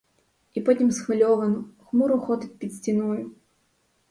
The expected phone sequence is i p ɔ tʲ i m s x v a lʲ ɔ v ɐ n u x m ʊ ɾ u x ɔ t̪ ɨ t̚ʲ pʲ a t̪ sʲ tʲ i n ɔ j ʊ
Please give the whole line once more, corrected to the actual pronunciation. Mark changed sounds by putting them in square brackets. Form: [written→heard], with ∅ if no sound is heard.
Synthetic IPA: i p ɔ tʲ i m s x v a lʲ ɔ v ɐ n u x m [ʊ→u] ɾ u x ɔ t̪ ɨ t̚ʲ pʲ [a→i] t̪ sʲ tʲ i n ɔ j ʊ